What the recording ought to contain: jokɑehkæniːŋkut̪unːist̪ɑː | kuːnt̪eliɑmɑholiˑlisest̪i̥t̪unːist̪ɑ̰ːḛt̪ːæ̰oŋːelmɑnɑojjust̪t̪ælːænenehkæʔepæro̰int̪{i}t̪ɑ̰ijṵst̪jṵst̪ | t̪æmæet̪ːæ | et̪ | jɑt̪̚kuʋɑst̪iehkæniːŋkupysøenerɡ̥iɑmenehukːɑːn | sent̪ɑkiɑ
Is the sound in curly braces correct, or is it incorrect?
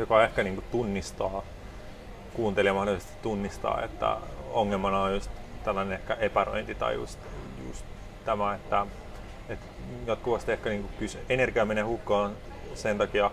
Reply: correct